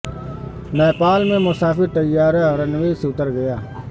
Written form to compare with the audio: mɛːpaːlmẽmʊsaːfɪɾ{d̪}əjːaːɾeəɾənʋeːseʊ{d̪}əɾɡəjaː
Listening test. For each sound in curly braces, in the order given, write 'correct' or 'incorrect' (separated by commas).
incorrect, incorrect